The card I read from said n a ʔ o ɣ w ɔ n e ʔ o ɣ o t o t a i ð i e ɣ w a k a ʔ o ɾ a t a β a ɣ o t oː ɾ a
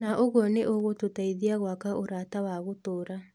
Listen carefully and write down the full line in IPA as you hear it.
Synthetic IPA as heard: n a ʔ o ɣ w ɔ n e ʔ o ɣ o t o t a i ð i a ɣ w a k a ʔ o ɾ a t a w a ɣ o t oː ɾ a